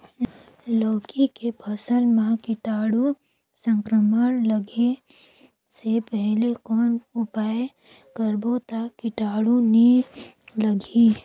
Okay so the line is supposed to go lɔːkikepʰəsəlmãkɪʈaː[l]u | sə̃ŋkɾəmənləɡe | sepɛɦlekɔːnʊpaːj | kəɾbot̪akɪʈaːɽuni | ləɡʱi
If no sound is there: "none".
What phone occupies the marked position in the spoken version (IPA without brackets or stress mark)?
ɽ